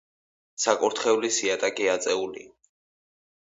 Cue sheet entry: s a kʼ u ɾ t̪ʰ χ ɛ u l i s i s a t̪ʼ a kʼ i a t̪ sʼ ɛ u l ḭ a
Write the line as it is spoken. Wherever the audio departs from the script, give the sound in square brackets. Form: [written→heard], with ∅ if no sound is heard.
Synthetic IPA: s a kʼ u ɾ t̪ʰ χ ɛ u l i s i [s→∅] a t̪ʼ a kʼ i a t̪ sʼ ɛ u l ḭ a